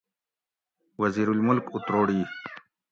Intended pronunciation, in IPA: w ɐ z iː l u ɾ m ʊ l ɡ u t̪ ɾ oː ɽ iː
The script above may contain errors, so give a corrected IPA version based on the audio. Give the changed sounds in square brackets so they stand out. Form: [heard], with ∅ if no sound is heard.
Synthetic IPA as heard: w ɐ z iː [ɾ] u [l] m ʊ l [k] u t̪ ɾ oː ɽ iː